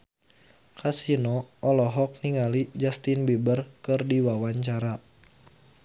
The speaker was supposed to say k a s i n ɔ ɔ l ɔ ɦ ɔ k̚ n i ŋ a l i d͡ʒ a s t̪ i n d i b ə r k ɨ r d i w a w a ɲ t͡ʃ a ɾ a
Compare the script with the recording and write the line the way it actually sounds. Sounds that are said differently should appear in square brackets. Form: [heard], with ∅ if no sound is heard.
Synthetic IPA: k a s i n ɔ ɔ l ɔ ɦ ɔ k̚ n i ŋ a l i d͡ʒ a s t̪ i n [b] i b ə r k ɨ r d i w a w a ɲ t͡ʃ a ɾ a